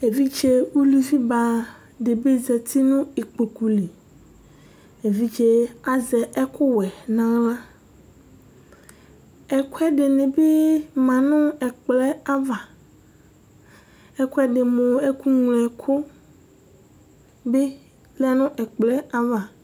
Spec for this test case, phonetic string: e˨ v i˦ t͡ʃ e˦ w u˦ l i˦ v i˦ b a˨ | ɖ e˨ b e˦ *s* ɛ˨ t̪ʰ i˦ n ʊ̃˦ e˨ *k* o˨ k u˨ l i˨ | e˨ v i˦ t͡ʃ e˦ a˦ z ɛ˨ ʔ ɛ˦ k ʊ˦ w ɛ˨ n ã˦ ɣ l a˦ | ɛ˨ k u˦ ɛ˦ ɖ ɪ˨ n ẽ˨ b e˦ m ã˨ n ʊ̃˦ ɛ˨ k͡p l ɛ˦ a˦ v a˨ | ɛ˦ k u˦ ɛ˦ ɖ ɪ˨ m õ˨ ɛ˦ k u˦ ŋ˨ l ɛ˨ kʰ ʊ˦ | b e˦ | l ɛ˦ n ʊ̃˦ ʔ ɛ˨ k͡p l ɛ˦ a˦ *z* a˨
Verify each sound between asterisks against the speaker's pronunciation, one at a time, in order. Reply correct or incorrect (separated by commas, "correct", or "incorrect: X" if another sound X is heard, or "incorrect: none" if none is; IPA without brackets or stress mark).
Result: incorrect: z, incorrect: k͡p, incorrect: v